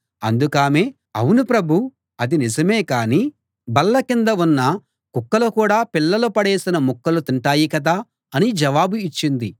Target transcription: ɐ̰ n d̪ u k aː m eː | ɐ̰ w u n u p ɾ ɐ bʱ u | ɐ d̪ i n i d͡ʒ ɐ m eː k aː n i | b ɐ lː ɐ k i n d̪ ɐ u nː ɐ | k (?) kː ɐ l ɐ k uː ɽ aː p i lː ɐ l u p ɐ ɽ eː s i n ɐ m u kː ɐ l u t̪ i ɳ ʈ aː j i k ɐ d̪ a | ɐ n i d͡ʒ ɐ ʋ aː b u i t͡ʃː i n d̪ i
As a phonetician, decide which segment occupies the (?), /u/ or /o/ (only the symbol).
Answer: u